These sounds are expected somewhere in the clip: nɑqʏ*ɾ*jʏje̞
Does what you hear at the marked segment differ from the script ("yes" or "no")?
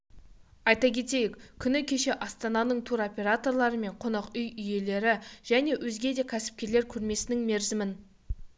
yes